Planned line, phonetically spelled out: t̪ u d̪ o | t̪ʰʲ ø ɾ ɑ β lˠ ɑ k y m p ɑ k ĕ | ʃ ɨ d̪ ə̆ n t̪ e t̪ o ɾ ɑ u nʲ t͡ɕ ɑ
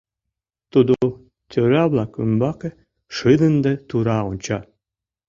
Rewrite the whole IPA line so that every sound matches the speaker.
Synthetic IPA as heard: t̪ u d̪ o | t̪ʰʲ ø ɾ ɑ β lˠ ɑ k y m b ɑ k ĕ | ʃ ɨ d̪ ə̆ n d̪ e t̪ u ɾ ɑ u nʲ t͡ɕ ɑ